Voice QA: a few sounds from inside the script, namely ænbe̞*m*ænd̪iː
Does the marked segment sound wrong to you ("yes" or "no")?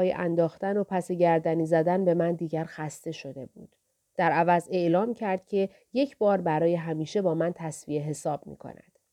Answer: no